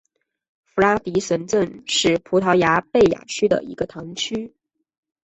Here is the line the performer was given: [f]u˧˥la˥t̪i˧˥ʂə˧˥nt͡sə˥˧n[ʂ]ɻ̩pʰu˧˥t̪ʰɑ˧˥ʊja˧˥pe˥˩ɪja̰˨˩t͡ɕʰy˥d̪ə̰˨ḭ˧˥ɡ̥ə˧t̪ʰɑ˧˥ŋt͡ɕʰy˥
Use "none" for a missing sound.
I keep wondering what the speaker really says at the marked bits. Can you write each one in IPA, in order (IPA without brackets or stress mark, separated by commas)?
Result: f, ʂ